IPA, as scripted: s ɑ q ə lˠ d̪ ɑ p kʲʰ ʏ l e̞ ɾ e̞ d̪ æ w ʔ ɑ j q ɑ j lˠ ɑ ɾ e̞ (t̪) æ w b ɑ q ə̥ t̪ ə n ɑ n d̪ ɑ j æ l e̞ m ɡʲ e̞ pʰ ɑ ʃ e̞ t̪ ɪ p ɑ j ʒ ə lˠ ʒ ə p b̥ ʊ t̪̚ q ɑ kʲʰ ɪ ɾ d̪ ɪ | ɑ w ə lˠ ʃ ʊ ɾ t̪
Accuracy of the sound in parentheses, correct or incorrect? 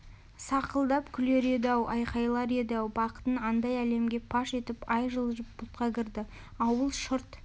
incorrect